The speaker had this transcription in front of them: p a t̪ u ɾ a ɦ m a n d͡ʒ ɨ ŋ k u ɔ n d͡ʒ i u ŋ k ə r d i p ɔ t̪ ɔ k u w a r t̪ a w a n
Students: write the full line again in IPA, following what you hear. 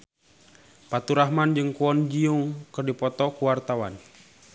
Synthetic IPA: p a t̪ u ɾ a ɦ m a n d͡ʒ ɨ ŋ k u ɔ n d͡ʒ i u ŋ k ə r d i p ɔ t̪ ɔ k u w a r t̪ a w a n